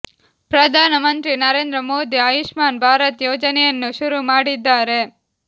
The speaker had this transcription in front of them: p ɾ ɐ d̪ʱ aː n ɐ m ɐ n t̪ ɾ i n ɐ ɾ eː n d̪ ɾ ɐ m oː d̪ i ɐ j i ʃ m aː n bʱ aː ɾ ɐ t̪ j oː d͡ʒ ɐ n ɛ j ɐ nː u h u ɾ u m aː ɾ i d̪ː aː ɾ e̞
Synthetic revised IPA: p ɾ ɐ d̪ʱ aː n ɐ m ɐ n t̪ ɾ i n ɐ ɾ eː n d̪ ɾ ɐ m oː d̪ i ɐ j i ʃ m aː n bʱ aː ɾ ɐ t̪ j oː d͡ʒ ɐ n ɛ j ɐ nː u ʃ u ɾ u m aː ɽ i d̪ː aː ɾ e̞

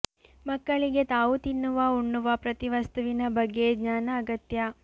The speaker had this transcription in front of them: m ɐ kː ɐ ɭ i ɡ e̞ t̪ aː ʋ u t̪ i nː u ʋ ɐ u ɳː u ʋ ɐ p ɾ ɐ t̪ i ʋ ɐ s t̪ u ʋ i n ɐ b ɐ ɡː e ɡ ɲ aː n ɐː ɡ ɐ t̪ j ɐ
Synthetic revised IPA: m ɐ kː ɐ ɭ i ɡ e̞ t̪ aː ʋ u t̪ i nː u ʋ ɐ u ɳː u ʋ ɐ p ɾ ɐ t̪ i ʋ ɐ s t̪ u ʋ i n ɐ b ɐ ɡː e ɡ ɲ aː n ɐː ɡ ɐ t̪ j ɐ

